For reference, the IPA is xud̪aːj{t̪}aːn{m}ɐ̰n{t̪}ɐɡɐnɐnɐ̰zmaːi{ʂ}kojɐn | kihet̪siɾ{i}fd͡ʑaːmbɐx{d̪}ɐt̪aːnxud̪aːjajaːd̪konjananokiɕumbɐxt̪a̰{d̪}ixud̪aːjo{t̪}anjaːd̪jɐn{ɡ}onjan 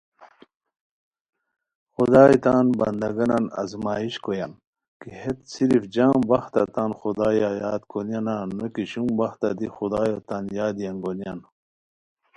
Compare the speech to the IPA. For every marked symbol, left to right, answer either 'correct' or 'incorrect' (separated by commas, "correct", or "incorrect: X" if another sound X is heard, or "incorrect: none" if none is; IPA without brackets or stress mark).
correct, incorrect: b, incorrect: d̪, incorrect: ɕ, correct, incorrect: t̪, correct, correct, correct